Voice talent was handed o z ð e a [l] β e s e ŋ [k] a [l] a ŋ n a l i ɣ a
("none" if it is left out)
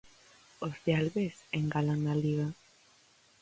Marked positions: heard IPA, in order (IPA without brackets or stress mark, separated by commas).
l, ɡ, l